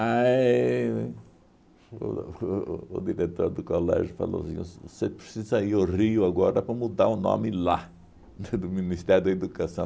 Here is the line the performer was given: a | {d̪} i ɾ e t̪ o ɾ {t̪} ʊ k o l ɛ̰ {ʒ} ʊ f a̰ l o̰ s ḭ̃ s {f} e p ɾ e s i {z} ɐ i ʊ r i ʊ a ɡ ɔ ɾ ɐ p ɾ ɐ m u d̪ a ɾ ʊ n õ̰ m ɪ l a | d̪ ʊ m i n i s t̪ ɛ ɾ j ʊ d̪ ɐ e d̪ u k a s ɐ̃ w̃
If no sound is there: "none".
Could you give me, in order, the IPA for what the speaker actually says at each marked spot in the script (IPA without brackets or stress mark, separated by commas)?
d̪, d̪, ʒ, s, z